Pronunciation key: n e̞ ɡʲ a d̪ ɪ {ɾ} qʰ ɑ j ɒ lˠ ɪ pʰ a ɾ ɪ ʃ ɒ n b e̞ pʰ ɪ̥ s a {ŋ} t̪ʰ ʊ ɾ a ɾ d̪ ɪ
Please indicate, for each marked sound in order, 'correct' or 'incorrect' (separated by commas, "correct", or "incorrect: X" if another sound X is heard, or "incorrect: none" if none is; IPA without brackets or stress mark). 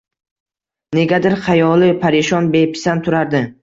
correct, incorrect: n